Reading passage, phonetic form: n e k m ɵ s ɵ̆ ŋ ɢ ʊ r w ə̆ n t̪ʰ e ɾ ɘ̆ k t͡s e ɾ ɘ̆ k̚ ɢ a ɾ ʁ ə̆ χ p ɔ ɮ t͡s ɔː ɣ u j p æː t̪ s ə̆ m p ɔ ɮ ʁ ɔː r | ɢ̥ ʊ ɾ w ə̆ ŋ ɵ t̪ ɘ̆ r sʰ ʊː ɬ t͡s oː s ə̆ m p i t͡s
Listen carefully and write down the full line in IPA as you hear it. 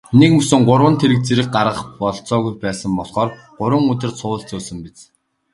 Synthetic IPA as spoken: n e k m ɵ s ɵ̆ ŋ ɢ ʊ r w ə̆ n t̪ʰ e ɾ ɘ̆ k t͡s e ɾ ɘ̆ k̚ ɢ a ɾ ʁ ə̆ χ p ɔ ɮ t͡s ɔː ɣ u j p æː s ə̆ m p ɔ ɮ χ ɔː r | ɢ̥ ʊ ɾ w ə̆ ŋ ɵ t̪ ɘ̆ r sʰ ʊː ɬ t͡s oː s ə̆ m p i t͡s